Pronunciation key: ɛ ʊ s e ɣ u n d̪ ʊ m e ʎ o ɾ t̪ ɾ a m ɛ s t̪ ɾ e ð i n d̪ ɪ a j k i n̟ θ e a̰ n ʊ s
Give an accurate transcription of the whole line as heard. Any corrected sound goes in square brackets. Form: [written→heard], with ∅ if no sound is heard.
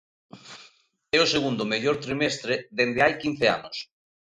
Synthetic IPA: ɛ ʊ s e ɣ u n d̪ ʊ m e ʎ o ɾ t̪ ɾ [a→i] m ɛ s t̪ ɾ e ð [i→e] n d̪ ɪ a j k i n̟ θ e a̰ n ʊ s